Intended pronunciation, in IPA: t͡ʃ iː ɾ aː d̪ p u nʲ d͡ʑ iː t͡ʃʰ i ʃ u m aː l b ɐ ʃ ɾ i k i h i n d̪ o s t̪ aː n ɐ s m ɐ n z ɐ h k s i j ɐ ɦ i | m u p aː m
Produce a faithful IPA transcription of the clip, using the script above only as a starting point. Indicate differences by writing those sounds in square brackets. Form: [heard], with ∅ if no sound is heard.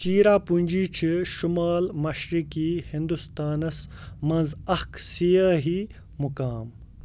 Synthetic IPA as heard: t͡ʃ iː ɾ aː [∅] p u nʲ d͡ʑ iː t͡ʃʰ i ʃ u m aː l [m] ɐ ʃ ɾ i k i h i n d̪ [u] s t̪ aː n ɐ s m ɐ n z ɐ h k s i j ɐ ɦ i | m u [k] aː m